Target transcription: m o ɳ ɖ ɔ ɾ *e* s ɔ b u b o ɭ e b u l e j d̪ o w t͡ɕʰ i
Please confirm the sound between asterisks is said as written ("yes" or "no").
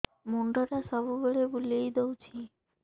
no